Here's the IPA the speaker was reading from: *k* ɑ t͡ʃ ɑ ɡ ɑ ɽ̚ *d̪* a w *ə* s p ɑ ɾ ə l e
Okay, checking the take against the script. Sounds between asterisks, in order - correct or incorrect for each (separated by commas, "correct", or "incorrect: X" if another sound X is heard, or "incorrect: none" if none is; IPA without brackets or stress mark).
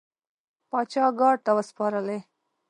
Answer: incorrect: p, incorrect: t̪, correct